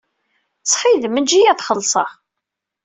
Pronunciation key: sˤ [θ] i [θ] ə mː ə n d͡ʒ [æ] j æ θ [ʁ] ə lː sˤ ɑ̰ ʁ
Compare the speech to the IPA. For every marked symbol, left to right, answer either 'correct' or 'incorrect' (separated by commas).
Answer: incorrect, incorrect, incorrect, incorrect